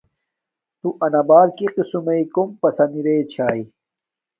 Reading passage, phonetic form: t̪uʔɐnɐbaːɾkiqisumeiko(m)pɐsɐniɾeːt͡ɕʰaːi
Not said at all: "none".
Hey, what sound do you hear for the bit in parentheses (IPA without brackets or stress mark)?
m